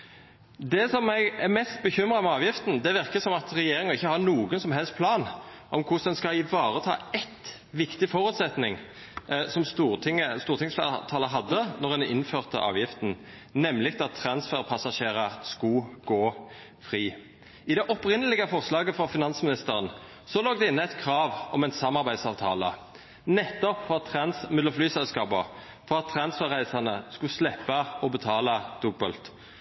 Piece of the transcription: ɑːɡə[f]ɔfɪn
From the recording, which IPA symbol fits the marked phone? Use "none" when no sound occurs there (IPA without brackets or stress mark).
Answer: f